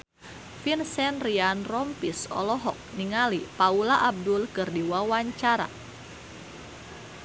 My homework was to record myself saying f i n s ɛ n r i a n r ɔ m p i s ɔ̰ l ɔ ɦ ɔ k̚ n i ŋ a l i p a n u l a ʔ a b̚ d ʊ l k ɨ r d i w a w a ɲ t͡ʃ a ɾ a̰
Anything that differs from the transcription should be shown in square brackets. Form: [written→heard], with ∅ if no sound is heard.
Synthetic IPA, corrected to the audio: f i n s ɛ n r i a n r ɔ m p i s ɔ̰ l ɔ ɦ ɔ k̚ n i ŋ a l i p a [n→∅] u l a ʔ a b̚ d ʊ l k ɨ r d i w a w a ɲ t͡ʃ a ɾ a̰